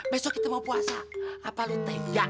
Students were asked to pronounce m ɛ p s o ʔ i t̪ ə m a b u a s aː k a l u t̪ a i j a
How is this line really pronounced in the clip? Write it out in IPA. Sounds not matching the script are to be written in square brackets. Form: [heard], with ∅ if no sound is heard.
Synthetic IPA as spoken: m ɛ [∅] s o [k] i t̪ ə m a [p] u a s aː [p] a l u t̪ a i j a